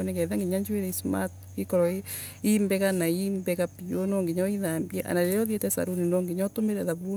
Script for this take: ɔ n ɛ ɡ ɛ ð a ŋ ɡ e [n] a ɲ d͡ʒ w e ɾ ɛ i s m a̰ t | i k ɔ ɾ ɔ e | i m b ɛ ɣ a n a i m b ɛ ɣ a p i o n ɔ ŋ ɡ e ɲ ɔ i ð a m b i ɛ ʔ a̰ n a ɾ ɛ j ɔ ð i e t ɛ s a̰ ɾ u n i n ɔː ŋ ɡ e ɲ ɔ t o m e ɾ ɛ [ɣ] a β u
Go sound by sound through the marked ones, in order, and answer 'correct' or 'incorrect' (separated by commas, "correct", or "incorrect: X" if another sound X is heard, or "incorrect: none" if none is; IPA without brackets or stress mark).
incorrect: ɲ, incorrect: ð